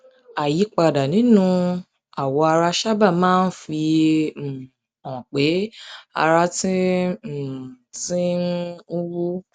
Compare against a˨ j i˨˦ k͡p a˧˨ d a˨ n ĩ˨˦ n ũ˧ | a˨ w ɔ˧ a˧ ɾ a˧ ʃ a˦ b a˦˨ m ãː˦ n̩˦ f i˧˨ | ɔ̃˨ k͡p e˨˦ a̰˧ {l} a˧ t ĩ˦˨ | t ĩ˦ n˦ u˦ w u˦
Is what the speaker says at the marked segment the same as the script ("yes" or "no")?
no